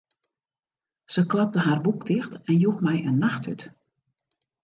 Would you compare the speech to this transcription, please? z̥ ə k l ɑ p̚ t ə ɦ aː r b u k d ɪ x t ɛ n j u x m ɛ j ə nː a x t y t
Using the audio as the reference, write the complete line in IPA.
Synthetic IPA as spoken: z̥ ə k l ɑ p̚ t ə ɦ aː r b u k d ɪ x t ɛ n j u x m ɛ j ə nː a x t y t